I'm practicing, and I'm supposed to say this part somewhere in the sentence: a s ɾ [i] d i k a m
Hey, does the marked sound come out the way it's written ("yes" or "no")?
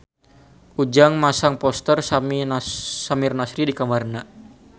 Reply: yes